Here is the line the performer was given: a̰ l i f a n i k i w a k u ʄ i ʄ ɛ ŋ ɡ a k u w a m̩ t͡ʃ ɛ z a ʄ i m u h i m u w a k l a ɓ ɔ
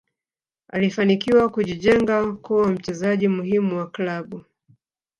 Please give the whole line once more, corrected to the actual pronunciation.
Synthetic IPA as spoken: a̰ l i f a n i k i w a k u ʄ i ʄ ɛ ŋ ɡ a k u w a m̩ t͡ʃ ɛ z a ʄ i m u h i m u w a k l a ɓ u